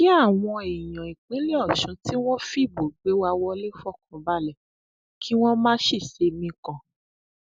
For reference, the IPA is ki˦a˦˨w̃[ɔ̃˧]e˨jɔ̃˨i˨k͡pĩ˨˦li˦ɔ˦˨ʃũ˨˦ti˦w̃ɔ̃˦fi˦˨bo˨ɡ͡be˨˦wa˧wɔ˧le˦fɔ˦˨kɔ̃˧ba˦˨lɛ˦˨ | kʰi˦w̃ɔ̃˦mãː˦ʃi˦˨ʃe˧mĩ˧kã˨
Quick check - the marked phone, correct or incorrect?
correct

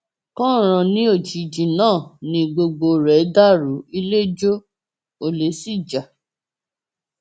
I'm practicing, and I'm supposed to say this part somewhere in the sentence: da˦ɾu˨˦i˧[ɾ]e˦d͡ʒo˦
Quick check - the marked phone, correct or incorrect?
incorrect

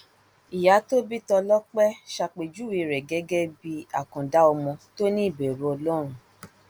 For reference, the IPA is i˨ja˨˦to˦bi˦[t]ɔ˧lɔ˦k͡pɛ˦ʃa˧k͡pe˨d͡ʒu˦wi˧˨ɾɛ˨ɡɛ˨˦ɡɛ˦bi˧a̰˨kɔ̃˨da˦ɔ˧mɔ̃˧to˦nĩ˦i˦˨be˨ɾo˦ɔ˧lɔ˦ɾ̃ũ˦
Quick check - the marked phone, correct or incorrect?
correct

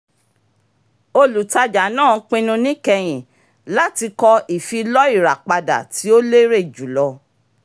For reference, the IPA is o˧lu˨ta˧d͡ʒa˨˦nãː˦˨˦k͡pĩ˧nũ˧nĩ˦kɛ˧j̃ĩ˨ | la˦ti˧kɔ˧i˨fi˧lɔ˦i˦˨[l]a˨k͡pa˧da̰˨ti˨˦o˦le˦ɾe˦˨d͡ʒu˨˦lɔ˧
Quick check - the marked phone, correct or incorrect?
incorrect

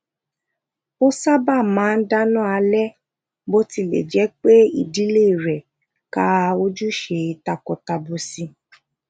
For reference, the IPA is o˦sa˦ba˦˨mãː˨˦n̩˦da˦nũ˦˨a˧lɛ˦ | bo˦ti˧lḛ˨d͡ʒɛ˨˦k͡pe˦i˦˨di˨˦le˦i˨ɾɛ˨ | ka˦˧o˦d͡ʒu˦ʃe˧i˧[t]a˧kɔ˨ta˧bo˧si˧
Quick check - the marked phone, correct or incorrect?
correct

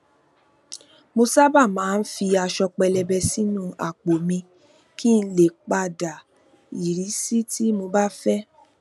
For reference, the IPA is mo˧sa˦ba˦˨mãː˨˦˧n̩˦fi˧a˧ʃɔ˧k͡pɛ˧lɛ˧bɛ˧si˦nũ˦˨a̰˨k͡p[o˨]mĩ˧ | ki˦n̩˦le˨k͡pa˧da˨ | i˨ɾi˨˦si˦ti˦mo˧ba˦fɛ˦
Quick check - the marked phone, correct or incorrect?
correct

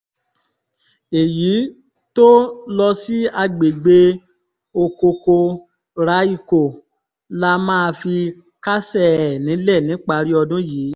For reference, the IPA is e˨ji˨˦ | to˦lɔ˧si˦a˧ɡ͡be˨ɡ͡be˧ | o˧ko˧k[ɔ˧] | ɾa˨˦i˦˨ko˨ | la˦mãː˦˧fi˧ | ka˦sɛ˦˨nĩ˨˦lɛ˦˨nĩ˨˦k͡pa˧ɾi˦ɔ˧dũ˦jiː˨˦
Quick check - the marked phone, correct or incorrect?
incorrect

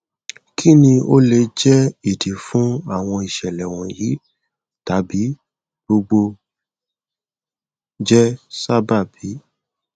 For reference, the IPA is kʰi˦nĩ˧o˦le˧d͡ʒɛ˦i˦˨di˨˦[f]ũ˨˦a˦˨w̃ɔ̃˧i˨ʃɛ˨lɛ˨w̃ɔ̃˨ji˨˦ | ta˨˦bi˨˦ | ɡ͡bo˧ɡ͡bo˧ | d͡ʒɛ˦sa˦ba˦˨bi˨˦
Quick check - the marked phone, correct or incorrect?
correct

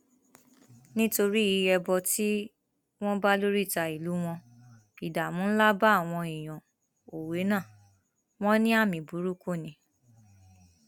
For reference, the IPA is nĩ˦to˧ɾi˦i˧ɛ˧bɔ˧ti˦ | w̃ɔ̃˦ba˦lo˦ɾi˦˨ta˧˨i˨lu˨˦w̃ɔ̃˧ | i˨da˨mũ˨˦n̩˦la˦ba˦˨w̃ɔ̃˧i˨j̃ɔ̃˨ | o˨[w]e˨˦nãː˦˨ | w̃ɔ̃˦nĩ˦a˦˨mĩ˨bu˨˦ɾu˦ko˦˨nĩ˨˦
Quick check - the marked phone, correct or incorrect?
correct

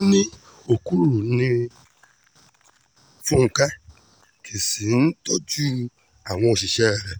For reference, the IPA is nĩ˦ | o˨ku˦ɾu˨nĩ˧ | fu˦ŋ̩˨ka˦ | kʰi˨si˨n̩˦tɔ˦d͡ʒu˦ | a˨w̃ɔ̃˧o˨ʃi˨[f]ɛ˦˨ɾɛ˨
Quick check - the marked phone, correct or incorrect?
incorrect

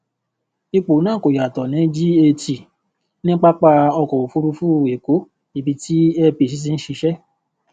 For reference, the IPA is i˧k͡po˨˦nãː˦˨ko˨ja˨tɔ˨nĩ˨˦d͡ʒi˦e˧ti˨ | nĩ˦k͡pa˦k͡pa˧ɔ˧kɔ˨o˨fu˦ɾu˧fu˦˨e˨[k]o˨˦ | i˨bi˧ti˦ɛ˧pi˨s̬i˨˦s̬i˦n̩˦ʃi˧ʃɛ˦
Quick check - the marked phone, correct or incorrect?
correct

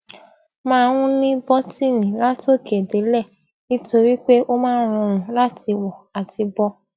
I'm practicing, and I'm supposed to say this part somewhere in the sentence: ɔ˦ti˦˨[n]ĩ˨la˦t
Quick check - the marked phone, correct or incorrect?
correct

